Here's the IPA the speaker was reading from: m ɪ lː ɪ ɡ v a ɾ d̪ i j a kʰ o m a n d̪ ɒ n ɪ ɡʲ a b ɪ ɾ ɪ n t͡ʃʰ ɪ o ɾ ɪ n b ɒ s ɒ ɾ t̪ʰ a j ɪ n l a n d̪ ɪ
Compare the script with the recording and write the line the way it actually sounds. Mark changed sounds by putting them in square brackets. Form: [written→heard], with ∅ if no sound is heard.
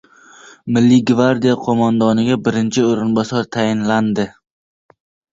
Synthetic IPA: m ɪ lː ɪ ɡ v a ɾ d̪ i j a [kʰ→qʰ] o m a n d̪ ɒ n ɪ ɡʲ a b ɪ ɾ ɪ n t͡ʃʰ ɪ o ɾ ɪ n b ɒ s ɒ ɾ t̪ʰ a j ɪ n l a n d̪ ɪ